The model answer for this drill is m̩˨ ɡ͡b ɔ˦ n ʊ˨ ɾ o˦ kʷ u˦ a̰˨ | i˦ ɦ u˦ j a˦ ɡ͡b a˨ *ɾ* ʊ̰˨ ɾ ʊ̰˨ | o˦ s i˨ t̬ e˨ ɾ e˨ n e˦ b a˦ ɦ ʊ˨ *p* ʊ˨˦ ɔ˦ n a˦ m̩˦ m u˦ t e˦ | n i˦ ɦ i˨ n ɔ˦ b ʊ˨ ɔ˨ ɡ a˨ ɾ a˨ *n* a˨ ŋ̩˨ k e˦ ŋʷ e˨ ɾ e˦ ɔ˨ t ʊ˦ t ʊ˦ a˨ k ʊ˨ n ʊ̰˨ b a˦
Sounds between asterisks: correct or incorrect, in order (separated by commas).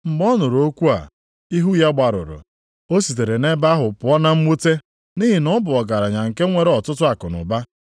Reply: correct, correct, incorrect